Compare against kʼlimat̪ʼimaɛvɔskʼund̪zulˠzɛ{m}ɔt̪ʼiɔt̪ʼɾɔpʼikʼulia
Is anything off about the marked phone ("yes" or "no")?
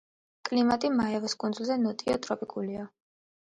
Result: yes